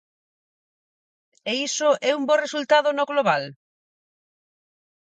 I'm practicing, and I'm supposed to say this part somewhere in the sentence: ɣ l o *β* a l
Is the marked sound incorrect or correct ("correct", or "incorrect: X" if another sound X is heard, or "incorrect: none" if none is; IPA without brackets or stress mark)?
correct